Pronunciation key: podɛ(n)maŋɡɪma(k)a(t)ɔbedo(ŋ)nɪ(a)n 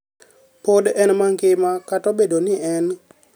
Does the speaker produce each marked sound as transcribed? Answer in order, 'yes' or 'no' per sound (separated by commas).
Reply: yes, yes, yes, no, no